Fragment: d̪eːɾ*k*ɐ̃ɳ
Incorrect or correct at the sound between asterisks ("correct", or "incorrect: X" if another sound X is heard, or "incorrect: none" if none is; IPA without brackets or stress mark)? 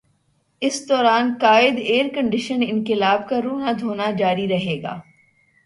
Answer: correct